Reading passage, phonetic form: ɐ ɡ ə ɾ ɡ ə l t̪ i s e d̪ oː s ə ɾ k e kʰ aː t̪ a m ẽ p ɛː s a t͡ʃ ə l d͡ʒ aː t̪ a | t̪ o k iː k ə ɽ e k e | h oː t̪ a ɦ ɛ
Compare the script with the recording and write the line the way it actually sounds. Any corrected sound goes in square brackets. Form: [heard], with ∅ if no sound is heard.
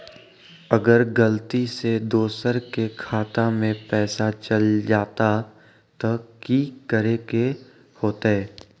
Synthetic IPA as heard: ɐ ɡ ə ɾ ɡ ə l t̪ i s e d̪ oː s ə ɾ k e kʰ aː t̪ a m ẽ p ɛː s a t͡ʃ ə l d͡ʒ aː t̪ a | t̪ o k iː k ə [ɾ] e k e | h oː t̪ a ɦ [ɛː]